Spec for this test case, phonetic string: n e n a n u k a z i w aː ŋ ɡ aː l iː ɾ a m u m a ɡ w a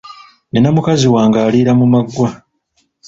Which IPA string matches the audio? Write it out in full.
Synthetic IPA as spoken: n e n a m u k a z i w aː ŋ ɡ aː l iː ɾ a m u m a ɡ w a